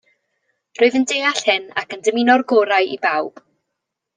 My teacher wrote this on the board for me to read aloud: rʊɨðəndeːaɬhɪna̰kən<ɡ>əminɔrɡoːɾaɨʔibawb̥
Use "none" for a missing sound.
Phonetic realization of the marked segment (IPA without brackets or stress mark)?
d